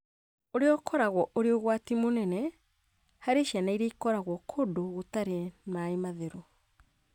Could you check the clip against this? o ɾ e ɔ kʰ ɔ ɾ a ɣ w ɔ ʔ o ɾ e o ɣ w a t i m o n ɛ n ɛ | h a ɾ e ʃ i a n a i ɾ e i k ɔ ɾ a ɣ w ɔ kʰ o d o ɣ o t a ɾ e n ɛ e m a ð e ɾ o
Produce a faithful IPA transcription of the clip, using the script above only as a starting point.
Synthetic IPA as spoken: o ɾ e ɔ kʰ ɔ ɾ a ɣ w ɔ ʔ o ɾ e o ɣ w a t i m o n ɛ n ɛ | h a ɾ e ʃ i a n a i ɾ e i k ɔ ɾ a ɣ w ɔ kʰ o d o ɣ o t a ɾ e n a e m a ð e ɾ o

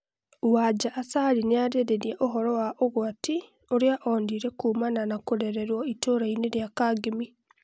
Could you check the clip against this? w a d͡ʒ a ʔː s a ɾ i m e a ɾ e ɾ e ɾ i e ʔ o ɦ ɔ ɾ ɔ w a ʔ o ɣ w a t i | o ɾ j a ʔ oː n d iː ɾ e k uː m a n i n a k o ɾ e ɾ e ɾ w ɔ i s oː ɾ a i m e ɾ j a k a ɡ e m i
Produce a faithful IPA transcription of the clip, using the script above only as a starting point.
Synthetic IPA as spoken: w a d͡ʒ a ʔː s a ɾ i n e a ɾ e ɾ e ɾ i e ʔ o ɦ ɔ ɾ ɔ w a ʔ o ɣ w a t i | o ɾ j a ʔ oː n d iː ɾ e k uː m a n a n a k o ɾ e ɾ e ɾ w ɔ i t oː ɾ a i n e ɾ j a k a ɡ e m i

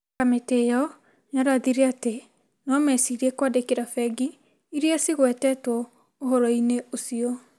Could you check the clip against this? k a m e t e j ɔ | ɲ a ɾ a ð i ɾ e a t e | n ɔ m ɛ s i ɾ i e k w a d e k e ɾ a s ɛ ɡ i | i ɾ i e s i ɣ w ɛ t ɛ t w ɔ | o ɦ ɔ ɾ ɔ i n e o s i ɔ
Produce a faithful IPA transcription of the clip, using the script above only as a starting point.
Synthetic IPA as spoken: k a m e t e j ɔ | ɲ a ɾ a ð i ɾ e a t e | n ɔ m ɛ s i ɾ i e k w a d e k e ɾ a f ɛ ɡ i | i ɾ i a s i ɣ w ɛ t ɛ t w ɔ | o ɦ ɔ ɾ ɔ i n e o s i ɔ

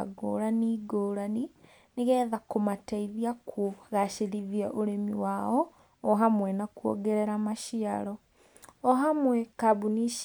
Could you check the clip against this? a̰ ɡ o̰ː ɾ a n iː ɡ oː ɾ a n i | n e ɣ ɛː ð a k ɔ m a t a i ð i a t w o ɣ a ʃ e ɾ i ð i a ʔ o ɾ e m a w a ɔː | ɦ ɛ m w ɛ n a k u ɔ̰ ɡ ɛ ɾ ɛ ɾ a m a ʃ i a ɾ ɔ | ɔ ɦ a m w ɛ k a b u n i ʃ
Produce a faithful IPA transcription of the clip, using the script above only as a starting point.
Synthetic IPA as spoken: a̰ ɡ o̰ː ɾ a n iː ɡ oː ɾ a n i | n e ɣ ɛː ð a k o m a t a i ð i a k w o ɣ a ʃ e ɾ i ð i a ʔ o ɾ e m i w a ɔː | ɦ a m w ɛ n a k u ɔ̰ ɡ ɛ ɾ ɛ ɾ a m a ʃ i a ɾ ɔ | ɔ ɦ a m w ɛ k a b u n i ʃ

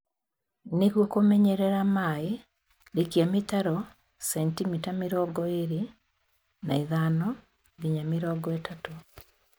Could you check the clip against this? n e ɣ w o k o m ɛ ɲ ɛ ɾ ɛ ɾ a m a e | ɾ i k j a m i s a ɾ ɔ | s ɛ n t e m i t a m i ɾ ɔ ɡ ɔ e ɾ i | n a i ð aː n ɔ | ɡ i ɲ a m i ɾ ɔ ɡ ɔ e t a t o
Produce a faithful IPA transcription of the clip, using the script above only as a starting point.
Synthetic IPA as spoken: n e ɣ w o k o m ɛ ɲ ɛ ɾ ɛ ɾ a m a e | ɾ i k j a m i t a ɾ ɔ | s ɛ n t i m i t a m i ɾ ɔ ɡ ɔ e ɾ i | n a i ð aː n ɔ | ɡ i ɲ a m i ɾ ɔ ɡ ɔ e t a t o

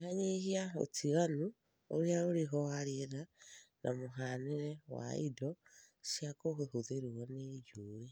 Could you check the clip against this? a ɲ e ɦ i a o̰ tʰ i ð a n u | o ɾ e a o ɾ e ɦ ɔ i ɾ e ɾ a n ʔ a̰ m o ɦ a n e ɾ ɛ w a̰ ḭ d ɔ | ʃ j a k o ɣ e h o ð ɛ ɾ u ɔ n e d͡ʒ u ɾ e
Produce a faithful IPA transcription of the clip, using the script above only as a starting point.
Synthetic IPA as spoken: a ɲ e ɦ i a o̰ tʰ i ɣ a n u | o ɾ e a o ɾ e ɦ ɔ a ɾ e ɾ a n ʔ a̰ m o ɦ a n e ɾ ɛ w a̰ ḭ d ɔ | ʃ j a k o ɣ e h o ð e ɾ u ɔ n e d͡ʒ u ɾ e

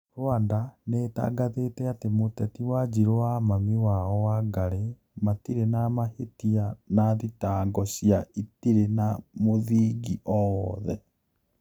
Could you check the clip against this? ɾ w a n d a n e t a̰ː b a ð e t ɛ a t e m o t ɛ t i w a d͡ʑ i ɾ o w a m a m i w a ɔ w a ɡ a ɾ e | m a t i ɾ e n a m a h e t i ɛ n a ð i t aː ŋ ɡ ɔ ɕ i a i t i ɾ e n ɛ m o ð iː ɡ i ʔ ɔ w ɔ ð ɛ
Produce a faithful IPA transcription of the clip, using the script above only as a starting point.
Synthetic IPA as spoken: ɾ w a n d a n e t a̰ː ɡ a ð e t ɛ a t e m o t ɛ t i w a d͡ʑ i ɾ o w a m a m i w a ɔ w a ɡ a ɾ e | m a t i ɾ e n a m a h e t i a n a ð i t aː ŋ ɡ ɔ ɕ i a i t i ɾ e n a m o ð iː ɡ i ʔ ɔ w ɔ ð ɛ

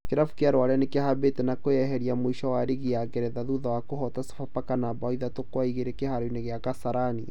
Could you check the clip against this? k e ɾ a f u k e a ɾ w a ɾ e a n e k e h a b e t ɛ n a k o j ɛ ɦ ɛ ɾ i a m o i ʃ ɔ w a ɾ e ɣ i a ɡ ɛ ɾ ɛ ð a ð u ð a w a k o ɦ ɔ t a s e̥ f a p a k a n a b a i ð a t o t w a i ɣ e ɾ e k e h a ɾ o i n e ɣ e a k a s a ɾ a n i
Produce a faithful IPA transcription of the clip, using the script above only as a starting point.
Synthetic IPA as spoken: k e ɾ a f u k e a ɾ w a ɾ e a n e k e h a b e t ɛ n a k o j ɛ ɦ ɛ ɾ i a m o i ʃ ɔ w a ɾ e ɣ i a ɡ ɛ ɾ ɛ ð a ð u ð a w a k o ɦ ɔ t a s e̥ f a p a k a n a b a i ð a t o k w a i ɣ e ɾ e k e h a ɾ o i n e ɣ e a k a s a ɾ a n i

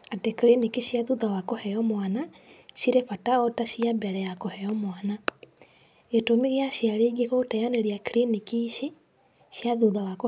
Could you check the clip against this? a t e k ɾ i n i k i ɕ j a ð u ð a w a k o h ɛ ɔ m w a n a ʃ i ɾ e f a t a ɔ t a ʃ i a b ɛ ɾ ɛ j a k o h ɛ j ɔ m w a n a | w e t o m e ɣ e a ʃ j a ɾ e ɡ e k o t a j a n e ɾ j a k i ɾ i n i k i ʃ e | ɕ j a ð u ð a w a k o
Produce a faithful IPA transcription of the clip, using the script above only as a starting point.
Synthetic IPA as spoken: a t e k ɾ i n i k i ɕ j a ð u ð a w a k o h ɛ ɔ m w a n a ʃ i ɾ e f a t a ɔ t a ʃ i a b ɛ ɾ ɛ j a k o h ɛ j ɔ m w a n a | ɣ e t o m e ɣ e a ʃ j a ɾ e ɡ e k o t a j a n e ɾ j a k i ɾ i n i k i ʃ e | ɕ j a ð u ð a w a k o

